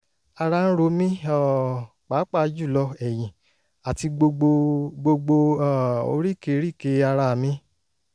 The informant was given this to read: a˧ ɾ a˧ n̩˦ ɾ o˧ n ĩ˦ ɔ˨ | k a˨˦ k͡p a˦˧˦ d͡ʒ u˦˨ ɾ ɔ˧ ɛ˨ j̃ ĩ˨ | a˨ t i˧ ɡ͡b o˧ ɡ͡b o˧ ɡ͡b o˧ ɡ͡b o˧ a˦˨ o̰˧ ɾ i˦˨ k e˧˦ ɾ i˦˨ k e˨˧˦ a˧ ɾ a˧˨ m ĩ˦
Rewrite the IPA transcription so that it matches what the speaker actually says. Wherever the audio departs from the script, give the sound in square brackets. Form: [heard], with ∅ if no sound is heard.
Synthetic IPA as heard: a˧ ɾ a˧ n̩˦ ɾ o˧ [m] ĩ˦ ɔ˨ | [k͡p] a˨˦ k͡p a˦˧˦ d͡ʒ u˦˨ [l] ɔ˧ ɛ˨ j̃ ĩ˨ | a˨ t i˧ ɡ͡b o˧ ɡ͡b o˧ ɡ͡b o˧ ɡ͡b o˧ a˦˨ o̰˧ ɾ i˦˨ k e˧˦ ɾ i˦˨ k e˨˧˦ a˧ ɾ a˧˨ m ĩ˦